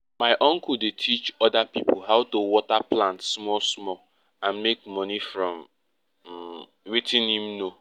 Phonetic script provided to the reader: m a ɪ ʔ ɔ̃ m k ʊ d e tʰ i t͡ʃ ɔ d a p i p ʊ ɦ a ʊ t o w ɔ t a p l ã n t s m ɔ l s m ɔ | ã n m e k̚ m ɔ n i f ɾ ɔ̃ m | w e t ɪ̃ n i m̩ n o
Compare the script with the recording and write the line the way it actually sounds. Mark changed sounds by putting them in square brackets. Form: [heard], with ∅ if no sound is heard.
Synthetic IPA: m a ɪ ʔ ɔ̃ [ŋ] k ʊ d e tʰ i t͡ʃ ɔ d a p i p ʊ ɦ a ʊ t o w ɔ t a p l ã n t s m ɔ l s m ɔ | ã n m e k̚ m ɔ n i f ɾ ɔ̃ m | w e t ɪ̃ n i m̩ n o